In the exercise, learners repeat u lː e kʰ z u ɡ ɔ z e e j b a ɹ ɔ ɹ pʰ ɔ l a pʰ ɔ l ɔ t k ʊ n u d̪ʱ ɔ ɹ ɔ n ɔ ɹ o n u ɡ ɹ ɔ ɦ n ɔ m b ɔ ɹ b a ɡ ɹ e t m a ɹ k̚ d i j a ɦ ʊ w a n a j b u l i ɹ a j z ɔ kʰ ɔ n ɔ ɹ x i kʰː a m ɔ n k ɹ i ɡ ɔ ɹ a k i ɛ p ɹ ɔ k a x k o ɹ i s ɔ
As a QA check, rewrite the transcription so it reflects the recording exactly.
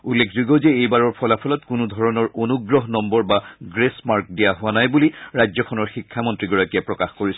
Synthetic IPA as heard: u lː e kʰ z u ɡ ɔ z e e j b a ɹ ɔ ɹ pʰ ɔ l a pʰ ɔ l ɔ t k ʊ n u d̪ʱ ɔ ɹ ɔ n ɔ ɹ o n u ɡ ɹ ɔ ɦ n ɔ m b ɔ ɹ b a ɡ ɹ e s m a ɹ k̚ d i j a ɦ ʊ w a n a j b u l i ɹ a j z ɔ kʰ ɔ n ɔ ɹ x i kʰː a m ɔ n t ɹ i ɡ ɔ ɹ a k i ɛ p ɹ ɔ k a x k o ɹ i s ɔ